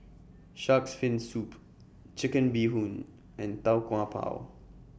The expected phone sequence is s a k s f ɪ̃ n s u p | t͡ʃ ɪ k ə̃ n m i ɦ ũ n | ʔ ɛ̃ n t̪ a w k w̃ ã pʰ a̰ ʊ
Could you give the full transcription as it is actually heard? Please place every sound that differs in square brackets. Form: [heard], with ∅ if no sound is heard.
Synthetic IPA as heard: [ʃ] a k s f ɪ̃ n s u p | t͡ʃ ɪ k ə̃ n [b] i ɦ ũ n | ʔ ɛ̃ n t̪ a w k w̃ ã pʰ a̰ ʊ